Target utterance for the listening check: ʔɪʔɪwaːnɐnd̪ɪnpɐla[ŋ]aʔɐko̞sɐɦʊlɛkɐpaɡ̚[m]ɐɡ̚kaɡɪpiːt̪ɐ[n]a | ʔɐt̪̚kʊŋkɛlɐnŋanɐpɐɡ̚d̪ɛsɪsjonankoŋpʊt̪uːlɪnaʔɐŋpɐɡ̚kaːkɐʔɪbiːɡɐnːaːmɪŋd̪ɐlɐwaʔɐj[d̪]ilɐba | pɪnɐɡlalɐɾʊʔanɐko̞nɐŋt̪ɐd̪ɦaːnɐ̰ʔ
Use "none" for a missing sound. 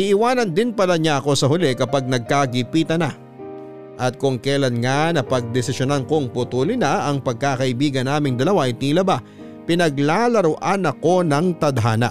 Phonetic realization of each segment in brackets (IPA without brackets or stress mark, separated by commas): ɲ, n, n, t̪